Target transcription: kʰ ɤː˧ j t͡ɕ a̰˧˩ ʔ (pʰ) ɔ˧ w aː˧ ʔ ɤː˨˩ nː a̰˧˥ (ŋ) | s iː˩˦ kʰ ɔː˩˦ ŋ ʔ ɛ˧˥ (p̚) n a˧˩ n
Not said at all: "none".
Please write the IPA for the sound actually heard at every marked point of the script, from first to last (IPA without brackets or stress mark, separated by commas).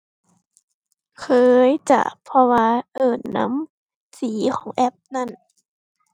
pʰ, m, p̚